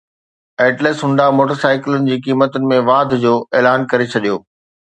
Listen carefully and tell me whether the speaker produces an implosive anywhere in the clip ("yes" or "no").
yes